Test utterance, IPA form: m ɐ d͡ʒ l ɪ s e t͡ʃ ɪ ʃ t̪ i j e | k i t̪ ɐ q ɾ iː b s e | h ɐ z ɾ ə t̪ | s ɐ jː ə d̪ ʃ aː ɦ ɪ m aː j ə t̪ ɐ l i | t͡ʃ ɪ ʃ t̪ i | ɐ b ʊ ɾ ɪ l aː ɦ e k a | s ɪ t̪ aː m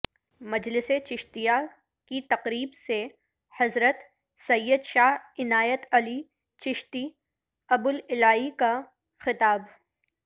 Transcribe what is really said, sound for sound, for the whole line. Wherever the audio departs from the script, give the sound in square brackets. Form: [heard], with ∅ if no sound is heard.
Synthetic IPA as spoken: m ɐ d͡ʒ l ɪ s e t͡ʃ ɪ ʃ t̪ i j [a] | k i t̪ ɐ q ɾ iː b s e | h ɐ z ɾ ə t̪ | s ɐ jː ə d̪ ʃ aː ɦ ɪ [n] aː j ə t̪ ɐ l i | t͡ʃ ɪ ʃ t̪ i | ɐ b ʊ [l] ɪ l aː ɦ [i] k a | [x] ɪ t̪ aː [b]